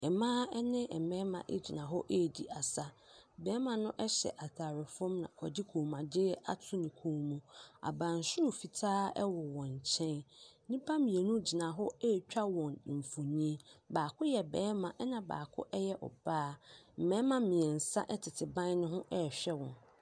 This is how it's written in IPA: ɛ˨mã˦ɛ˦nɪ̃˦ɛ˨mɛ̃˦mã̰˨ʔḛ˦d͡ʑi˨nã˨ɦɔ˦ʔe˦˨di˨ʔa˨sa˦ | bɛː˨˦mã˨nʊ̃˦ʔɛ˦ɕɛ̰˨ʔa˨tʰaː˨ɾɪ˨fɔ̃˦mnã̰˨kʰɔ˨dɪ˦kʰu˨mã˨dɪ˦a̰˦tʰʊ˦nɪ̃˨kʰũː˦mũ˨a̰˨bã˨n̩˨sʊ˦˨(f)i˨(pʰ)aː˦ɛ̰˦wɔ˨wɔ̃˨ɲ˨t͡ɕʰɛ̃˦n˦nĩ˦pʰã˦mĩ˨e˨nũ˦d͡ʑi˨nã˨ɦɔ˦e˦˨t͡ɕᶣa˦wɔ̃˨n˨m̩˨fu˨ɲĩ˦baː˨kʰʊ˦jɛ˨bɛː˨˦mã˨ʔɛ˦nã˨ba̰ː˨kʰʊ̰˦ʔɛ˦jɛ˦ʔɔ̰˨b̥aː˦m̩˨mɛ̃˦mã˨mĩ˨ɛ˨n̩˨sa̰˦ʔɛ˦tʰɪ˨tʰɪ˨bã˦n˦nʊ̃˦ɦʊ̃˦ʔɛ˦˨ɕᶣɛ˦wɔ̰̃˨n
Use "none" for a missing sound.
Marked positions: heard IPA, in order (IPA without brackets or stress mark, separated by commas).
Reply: f, tʰ